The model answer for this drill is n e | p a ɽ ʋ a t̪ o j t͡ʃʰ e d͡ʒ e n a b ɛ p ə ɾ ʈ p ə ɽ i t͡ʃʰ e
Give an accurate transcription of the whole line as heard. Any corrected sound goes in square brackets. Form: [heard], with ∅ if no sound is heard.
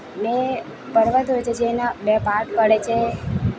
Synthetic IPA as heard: n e | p [ə] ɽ ʋ a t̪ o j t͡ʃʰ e d͡ʒ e n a b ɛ p [a] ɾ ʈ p ə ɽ [e] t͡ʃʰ e